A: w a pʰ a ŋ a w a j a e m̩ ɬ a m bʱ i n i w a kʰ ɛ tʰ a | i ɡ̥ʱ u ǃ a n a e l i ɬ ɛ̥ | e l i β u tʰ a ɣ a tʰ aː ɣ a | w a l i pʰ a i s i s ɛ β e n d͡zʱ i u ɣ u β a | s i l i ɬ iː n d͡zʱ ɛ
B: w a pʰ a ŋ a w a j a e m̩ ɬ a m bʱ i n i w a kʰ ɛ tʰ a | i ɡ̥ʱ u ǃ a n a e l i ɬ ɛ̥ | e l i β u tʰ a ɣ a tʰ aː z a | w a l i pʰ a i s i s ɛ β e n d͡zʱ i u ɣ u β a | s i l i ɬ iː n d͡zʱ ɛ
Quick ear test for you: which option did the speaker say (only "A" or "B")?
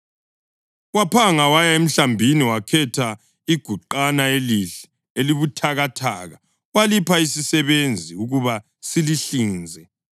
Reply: A